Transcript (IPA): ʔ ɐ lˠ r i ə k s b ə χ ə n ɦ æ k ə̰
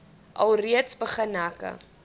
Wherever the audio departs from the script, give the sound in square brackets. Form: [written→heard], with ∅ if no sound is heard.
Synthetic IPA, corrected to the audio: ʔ ɐ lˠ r i ə [k→t] s b ə χ ə n ɦ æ k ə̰